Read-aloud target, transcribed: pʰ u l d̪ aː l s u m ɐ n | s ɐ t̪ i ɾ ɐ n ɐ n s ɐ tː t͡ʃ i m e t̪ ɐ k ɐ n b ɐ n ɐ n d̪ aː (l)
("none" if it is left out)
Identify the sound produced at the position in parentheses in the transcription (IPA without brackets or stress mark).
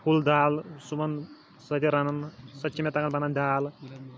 l